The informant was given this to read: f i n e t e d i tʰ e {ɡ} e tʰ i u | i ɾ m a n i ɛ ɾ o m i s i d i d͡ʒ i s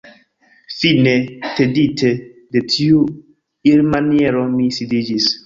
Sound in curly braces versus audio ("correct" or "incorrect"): incorrect